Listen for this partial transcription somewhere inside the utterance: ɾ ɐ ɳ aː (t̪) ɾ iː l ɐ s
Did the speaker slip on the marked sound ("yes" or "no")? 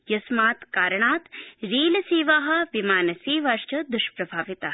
no